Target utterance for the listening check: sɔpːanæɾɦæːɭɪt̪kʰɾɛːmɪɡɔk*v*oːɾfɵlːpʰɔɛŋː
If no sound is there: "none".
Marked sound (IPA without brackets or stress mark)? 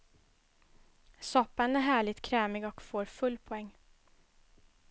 f